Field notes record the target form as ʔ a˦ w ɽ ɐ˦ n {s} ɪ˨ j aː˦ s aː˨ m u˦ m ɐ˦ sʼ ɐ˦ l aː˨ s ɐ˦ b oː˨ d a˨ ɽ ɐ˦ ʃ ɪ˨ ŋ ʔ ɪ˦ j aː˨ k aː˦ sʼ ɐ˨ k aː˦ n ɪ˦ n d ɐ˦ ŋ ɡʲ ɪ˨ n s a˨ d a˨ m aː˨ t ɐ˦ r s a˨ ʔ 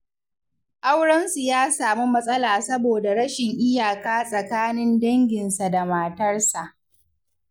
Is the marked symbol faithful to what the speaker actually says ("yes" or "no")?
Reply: yes